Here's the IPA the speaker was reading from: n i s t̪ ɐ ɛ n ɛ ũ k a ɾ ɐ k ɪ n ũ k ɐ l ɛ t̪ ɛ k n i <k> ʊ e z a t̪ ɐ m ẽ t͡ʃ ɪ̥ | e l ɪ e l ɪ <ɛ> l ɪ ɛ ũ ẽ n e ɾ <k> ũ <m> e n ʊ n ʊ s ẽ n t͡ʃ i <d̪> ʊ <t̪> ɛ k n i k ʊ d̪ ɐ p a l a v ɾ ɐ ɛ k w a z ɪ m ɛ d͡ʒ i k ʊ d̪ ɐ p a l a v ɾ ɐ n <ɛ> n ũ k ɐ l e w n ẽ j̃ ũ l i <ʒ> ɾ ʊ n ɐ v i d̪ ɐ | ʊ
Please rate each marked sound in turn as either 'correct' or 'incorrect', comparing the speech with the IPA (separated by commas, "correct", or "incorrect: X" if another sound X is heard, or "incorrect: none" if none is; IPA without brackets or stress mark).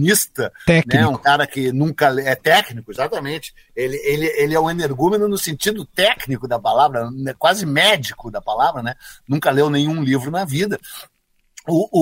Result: correct, incorrect: e, incorrect: ɡ, correct, correct, correct, correct, incorrect: v